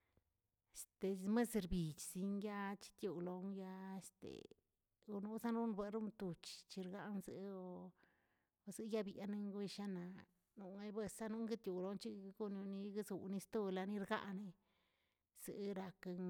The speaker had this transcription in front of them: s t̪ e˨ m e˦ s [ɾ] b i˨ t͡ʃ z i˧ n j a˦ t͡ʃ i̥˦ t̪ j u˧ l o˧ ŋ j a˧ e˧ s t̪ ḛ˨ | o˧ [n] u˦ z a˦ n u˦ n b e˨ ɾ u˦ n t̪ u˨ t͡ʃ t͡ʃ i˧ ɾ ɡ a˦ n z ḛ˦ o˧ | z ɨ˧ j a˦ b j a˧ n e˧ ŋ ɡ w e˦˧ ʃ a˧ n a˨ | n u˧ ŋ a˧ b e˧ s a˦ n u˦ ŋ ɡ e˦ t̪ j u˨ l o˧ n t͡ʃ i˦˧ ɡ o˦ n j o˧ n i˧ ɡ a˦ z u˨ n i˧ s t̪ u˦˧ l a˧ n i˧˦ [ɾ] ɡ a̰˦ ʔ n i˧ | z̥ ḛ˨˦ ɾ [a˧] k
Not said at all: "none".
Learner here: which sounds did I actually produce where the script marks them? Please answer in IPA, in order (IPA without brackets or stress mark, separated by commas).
ɾ, n, ɾ, a˧